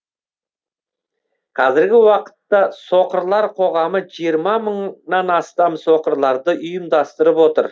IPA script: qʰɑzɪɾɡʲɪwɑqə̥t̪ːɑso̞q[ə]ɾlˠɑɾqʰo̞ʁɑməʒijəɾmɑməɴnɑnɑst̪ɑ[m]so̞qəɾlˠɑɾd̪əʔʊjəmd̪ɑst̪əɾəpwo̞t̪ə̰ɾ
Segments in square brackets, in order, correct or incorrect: correct, correct

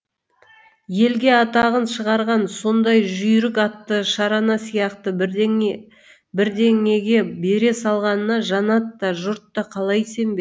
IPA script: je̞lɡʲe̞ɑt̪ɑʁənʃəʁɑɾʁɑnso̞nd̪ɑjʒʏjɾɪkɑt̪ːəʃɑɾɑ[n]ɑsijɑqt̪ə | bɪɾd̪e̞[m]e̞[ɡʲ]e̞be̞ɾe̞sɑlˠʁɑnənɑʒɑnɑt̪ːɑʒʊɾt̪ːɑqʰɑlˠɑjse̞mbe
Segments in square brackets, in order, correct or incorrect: correct, incorrect: ŋ, correct

